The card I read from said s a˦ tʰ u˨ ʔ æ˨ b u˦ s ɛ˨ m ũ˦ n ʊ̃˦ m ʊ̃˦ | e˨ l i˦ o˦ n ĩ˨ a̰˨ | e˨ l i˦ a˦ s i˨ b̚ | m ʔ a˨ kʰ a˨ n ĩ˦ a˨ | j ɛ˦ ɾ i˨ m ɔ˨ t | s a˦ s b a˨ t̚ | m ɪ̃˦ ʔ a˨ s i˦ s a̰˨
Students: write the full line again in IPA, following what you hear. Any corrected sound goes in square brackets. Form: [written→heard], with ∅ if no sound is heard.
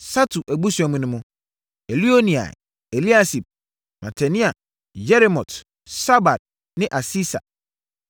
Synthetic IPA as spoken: s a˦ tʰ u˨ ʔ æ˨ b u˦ s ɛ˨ m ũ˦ n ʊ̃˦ m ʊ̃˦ | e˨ l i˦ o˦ n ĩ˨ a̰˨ | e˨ l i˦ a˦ s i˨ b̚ | m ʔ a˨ [kʰ→tʰ] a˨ n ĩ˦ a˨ | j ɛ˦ ɾ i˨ m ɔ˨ t | s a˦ [s→∅] b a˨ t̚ | [m→n] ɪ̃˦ ʔ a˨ s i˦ s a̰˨